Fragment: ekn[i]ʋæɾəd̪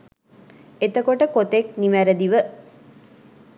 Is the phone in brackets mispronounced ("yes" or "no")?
no